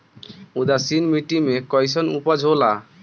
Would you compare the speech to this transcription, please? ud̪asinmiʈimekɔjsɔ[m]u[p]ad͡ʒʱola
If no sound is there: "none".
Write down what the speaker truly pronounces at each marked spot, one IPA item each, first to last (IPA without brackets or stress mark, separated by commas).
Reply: n, p